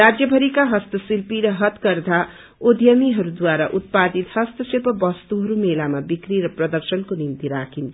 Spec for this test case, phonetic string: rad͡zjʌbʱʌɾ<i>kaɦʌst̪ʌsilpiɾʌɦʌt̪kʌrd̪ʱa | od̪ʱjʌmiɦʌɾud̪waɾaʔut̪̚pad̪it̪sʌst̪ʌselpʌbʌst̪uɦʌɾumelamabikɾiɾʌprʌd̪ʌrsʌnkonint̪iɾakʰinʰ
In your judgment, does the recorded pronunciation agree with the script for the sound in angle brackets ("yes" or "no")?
yes